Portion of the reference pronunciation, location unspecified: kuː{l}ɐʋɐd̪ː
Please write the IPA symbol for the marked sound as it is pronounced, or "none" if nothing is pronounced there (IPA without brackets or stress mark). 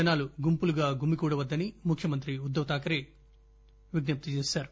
ɽ